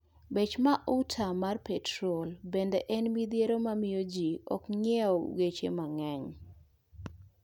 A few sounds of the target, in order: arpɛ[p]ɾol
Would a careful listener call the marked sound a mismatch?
yes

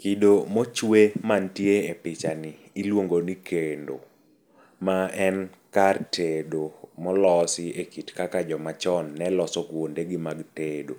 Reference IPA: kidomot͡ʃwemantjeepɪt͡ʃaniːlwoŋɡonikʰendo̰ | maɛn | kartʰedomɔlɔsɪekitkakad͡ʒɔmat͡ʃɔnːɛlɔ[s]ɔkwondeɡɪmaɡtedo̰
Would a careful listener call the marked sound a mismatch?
no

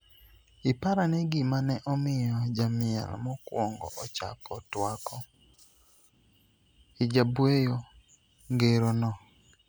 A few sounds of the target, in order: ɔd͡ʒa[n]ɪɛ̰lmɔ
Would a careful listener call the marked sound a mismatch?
yes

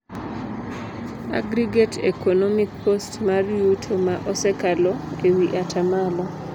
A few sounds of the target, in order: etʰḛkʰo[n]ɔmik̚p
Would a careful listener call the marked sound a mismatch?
no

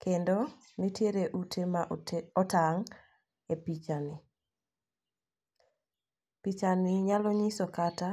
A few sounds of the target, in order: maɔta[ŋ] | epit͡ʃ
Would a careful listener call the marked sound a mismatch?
no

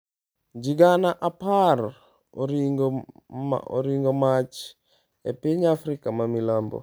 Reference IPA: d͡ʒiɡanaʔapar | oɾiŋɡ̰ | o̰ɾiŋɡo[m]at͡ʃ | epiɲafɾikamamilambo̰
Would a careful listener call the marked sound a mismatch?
no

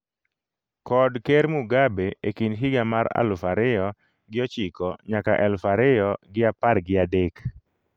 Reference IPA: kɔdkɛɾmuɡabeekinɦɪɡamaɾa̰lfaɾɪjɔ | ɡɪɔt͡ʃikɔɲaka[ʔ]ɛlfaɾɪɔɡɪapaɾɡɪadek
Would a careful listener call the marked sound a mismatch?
no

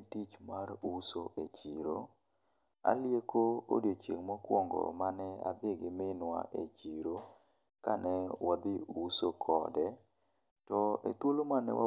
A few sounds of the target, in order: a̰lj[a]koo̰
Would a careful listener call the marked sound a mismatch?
yes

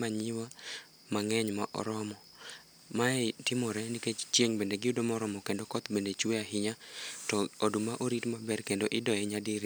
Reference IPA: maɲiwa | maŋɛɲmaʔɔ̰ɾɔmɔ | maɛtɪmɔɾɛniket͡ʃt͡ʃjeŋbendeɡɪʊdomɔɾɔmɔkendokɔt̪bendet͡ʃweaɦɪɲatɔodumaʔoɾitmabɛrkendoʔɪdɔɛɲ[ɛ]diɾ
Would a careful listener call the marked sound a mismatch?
yes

